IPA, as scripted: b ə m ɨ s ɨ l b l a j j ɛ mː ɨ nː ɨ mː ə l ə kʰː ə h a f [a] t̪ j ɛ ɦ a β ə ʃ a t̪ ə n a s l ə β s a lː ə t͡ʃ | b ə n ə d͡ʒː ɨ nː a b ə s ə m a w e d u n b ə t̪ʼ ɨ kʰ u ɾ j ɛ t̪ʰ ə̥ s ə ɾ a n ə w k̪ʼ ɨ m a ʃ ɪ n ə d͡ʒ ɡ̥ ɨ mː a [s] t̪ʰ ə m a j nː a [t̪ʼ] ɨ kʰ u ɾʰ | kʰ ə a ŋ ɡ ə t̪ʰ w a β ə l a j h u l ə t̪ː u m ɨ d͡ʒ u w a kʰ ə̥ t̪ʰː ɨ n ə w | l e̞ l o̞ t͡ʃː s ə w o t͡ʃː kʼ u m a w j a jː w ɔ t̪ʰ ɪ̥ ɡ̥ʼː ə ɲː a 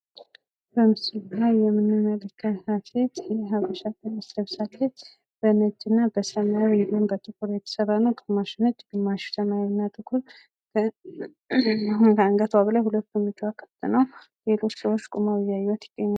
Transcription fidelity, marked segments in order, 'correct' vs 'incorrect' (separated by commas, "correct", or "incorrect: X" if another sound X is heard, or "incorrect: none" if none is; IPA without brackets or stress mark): incorrect: e, incorrect: ʃ, correct